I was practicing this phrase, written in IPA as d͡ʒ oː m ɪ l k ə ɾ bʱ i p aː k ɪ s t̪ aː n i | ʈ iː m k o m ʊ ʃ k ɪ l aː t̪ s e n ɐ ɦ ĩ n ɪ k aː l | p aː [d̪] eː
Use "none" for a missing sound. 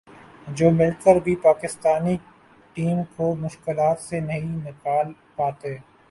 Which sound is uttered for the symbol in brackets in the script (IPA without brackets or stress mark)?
t̪